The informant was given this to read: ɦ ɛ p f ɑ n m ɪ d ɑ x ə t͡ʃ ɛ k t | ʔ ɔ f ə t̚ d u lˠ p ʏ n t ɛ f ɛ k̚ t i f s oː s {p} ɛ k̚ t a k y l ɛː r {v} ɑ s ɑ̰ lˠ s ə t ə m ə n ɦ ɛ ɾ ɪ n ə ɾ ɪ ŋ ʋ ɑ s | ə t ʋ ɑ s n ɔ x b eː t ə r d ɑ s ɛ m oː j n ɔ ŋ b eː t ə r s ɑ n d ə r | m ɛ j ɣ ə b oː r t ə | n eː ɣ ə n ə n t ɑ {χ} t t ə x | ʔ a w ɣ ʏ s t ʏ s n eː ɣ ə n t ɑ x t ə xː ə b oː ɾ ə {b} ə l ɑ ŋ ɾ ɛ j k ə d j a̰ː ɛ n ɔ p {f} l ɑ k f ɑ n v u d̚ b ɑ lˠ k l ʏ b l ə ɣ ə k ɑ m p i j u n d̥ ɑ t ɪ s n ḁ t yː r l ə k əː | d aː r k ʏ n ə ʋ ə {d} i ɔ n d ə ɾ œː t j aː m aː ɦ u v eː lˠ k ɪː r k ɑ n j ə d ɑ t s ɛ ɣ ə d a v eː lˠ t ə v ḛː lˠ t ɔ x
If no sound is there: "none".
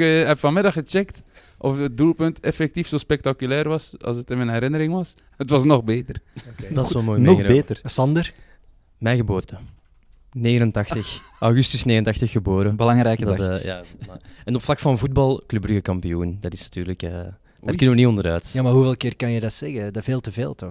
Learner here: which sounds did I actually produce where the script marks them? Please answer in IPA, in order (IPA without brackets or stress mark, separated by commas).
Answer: p, ʋ, x, b, f, n